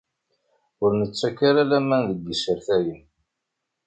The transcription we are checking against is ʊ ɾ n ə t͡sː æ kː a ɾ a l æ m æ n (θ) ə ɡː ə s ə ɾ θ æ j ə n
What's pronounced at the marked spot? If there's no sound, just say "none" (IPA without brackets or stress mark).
ð